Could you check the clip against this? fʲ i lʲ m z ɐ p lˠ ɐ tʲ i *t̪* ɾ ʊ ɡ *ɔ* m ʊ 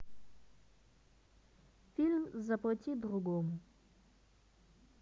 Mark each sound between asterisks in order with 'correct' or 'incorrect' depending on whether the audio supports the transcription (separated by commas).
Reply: incorrect, correct